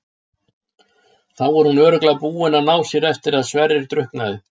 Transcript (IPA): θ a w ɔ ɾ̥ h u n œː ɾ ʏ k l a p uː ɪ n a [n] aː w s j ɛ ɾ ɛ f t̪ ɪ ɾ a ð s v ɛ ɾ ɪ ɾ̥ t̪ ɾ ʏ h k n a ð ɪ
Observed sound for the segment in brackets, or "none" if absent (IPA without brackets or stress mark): n